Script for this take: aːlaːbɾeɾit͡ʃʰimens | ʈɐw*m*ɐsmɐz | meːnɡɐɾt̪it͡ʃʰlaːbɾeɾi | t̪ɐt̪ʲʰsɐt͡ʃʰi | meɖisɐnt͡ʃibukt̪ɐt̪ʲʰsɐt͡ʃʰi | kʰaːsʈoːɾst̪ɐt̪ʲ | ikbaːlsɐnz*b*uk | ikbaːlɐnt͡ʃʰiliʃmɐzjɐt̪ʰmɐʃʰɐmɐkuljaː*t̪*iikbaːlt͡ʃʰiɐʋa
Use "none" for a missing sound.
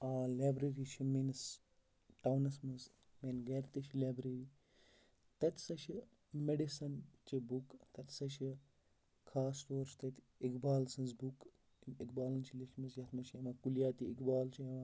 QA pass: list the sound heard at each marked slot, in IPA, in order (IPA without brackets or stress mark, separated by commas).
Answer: n, b, t̪